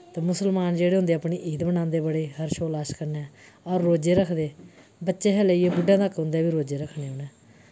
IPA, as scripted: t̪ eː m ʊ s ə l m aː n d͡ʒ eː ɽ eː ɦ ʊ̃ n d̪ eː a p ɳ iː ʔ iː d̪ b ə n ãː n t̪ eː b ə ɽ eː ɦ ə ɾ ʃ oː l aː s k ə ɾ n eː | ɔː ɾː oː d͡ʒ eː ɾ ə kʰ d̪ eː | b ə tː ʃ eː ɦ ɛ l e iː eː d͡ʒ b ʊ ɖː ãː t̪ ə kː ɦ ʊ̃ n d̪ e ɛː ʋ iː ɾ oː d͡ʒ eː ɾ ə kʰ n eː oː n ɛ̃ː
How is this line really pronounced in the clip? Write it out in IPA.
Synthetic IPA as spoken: t̪ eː m ʊ s ə l m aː n d͡ʒ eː ɽ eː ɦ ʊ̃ n d̪ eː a p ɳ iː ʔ iː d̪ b ə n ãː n d̪ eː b ə ɽ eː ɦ ə ɾ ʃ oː l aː ʃ k ə ɾ n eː | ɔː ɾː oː d͡ʒ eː ɾ ə kʰ d̪ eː | b ə tː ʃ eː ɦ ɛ l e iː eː b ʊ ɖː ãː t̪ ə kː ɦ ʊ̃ n d̪ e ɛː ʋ iː ɾ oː d͡ʒ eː ɾ ə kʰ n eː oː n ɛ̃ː